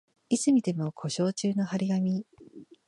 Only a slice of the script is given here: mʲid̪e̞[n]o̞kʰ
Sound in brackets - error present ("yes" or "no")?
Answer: yes